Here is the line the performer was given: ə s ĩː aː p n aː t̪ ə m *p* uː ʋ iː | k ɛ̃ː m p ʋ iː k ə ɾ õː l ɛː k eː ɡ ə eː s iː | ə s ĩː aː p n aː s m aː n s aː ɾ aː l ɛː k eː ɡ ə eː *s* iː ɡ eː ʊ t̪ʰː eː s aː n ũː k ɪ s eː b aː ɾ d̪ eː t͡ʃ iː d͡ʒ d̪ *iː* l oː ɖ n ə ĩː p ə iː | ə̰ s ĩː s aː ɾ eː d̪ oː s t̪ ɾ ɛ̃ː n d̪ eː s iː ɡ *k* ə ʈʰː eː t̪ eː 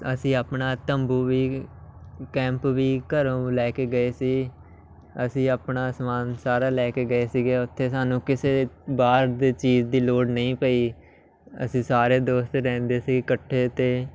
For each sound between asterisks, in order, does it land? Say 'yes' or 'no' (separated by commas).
no, yes, yes, yes